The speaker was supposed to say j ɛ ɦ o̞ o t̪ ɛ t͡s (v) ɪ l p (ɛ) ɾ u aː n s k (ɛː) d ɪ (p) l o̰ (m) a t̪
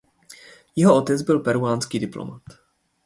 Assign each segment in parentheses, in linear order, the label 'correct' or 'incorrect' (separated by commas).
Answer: incorrect, correct, incorrect, correct, correct